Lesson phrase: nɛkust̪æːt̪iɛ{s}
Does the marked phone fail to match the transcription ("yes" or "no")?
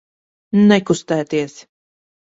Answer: no